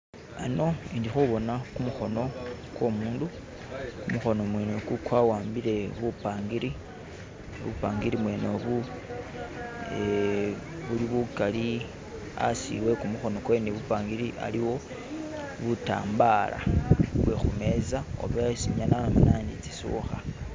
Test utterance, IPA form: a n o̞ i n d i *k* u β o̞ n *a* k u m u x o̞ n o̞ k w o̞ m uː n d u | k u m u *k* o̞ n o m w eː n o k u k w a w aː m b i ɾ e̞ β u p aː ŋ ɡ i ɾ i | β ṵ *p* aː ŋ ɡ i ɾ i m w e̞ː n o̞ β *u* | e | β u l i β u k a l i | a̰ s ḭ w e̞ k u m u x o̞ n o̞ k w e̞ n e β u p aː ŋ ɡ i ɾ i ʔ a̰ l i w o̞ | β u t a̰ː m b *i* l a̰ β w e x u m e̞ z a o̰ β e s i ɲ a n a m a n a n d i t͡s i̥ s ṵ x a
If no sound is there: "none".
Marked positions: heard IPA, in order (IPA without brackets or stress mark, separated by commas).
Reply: x, a, x, p, u, a